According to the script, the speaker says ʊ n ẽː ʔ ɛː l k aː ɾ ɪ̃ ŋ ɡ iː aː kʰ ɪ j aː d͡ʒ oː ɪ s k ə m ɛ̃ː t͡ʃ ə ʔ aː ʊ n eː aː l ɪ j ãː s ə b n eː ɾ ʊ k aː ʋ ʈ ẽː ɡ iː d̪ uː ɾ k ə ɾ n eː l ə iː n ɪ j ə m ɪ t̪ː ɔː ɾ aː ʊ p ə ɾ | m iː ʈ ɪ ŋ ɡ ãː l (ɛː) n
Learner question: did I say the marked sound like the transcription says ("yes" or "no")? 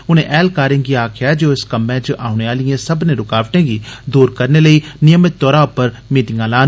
no